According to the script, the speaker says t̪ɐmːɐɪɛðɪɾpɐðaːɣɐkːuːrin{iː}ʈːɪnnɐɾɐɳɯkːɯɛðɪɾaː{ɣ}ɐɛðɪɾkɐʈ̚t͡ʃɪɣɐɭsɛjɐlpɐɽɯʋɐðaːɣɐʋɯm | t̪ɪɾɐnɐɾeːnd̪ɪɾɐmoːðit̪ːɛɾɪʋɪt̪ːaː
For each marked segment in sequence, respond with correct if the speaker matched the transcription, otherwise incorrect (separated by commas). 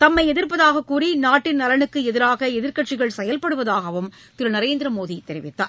incorrect, correct